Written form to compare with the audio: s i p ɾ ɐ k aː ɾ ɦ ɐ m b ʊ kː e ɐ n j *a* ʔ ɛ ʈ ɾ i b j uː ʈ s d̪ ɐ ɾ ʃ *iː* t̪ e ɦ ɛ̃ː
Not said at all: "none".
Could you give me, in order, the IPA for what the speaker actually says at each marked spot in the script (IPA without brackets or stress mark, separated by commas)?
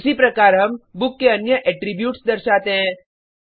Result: ə, aː